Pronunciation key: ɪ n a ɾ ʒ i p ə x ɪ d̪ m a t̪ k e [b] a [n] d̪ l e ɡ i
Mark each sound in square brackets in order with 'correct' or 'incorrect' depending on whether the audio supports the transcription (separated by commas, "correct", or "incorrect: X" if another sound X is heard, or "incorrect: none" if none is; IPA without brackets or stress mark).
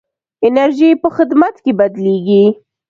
correct, incorrect: none